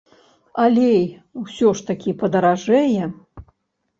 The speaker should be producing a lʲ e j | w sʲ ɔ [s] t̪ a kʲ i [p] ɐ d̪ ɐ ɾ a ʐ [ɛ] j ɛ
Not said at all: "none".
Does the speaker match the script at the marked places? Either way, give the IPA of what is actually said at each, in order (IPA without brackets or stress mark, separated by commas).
ʂ, p, ɛ